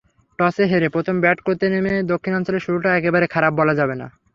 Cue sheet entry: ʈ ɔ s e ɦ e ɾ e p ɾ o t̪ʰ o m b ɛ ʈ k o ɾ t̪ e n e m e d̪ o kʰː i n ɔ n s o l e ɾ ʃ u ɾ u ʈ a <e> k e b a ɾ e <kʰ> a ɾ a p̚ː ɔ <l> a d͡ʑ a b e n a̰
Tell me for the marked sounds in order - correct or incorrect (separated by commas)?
incorrect, correct, correct